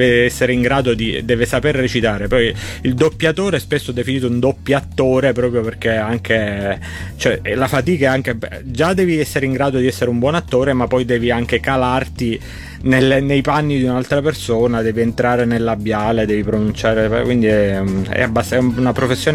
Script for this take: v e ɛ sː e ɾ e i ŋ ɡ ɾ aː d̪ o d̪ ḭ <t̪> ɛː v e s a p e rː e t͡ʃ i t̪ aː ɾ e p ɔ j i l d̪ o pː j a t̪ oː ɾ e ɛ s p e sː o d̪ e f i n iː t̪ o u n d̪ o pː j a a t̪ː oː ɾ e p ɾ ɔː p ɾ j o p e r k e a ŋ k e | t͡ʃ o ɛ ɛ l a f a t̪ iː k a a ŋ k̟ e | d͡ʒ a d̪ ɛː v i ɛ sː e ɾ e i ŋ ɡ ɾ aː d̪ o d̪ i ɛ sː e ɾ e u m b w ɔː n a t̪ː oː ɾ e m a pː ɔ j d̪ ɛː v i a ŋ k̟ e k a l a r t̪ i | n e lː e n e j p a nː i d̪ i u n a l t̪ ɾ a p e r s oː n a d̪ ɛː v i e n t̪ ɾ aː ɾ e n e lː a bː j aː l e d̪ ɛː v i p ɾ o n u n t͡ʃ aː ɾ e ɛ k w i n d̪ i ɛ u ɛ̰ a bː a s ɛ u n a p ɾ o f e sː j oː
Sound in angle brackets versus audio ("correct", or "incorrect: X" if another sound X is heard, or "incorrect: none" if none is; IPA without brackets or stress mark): incorrect: d̪